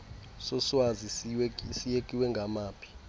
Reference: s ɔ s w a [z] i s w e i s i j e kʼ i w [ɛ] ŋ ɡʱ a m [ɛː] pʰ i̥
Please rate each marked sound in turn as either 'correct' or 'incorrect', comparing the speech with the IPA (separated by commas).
correct, correct, incorrect